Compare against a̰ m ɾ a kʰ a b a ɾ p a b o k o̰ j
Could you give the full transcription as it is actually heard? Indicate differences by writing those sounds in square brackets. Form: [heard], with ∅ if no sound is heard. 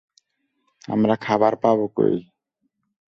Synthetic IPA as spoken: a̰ m ɾ a kʰ a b a ɾ p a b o k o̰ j